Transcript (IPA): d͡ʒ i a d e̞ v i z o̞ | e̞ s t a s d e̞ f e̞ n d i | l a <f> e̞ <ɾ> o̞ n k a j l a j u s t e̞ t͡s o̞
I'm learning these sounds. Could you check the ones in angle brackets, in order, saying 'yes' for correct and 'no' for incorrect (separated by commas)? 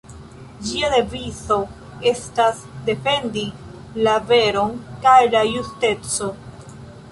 no, yes